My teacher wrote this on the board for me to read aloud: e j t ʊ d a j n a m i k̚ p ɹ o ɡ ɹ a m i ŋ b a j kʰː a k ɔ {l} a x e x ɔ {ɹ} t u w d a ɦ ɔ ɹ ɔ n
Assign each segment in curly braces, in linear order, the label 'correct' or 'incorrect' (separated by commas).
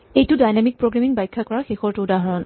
incorrect, correct